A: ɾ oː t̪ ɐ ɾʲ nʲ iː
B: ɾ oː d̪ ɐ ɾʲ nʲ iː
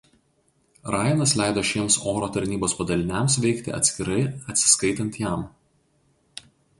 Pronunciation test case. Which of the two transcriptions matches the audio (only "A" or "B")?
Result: A